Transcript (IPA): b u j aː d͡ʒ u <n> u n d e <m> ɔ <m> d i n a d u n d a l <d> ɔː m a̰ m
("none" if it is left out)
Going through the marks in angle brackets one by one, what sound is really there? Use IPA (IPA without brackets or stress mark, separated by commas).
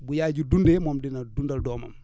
d, m, m, d